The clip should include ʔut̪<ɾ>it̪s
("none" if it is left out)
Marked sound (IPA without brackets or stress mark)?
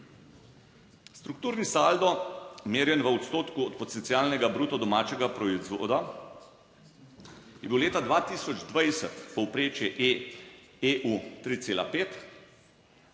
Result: ɾ